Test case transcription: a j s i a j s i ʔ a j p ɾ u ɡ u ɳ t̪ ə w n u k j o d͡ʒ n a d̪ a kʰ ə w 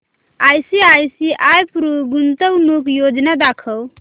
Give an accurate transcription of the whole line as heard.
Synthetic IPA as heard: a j s i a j s i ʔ a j p ɾ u ɡ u n t̪ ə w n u k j o d͡ʒ n a d̪ a kʰ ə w